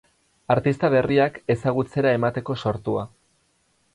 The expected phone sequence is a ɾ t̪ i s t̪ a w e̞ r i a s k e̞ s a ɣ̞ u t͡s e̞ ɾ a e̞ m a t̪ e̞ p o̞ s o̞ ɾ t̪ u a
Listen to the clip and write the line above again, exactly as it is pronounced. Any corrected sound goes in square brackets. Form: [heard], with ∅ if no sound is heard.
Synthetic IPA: a ɾ t̪ i s t̪ a [β] e̞ r i a [∅] k e̞ s a ɣ̞ u t͡s e̞ ɾ a e̞ m a t̪ e̞ [k] o̞ s o̞ ɾ t̪ u a